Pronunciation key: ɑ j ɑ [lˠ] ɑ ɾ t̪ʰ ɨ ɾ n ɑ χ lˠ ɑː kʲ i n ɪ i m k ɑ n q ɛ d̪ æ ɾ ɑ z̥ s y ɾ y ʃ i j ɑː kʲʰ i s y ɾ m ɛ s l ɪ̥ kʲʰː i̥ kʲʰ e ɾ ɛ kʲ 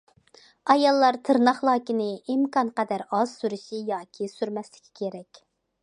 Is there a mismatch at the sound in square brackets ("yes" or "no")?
yes